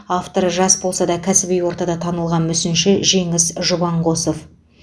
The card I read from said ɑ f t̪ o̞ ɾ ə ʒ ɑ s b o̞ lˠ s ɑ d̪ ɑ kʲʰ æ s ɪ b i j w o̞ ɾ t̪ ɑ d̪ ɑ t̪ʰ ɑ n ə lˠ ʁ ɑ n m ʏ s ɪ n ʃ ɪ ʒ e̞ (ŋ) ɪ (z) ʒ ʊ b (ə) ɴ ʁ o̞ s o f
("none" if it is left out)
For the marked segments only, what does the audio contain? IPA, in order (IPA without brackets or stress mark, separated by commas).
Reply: ŋ, s, ɑ